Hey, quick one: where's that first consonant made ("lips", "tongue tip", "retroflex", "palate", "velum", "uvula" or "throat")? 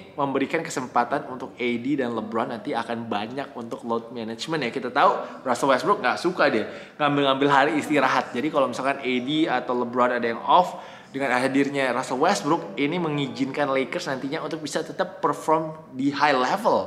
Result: lips